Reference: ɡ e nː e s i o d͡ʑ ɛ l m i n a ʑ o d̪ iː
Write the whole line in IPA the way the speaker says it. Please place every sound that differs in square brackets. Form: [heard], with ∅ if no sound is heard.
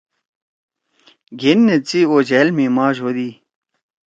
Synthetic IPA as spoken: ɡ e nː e [t͡s] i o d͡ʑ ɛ l m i [m] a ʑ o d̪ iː